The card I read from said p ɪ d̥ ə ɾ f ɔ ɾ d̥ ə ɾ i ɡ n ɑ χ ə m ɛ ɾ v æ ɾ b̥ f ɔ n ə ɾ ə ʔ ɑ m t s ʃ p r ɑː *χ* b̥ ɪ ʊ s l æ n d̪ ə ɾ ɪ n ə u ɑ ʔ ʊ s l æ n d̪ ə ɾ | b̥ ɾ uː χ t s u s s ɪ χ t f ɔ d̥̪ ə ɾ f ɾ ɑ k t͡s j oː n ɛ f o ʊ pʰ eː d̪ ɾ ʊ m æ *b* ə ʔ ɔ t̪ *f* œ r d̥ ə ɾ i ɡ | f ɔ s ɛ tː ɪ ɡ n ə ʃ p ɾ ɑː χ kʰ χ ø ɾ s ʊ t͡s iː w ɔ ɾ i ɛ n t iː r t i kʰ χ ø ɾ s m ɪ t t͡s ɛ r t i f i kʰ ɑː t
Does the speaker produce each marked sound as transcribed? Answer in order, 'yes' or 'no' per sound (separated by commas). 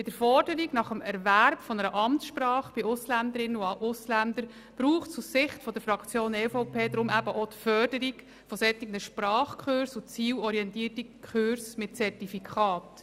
yes, yes, yes